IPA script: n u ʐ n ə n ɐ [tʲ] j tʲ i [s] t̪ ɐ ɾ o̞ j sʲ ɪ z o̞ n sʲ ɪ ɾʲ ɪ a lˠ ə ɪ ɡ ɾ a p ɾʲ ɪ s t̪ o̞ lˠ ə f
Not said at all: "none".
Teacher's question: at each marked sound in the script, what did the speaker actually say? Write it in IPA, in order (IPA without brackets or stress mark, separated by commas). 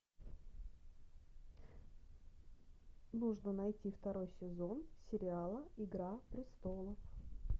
none, f